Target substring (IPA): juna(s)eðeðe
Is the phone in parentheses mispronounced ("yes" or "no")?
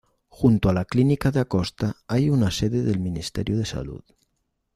no